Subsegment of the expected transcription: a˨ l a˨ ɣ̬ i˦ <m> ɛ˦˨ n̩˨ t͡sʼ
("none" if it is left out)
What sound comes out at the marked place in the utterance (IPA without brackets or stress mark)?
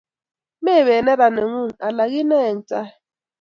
n